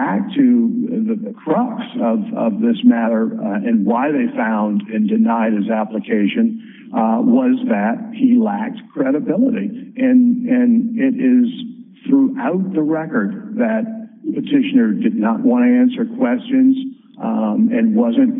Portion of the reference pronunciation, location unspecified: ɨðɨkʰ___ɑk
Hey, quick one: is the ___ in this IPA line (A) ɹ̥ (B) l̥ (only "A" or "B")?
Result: A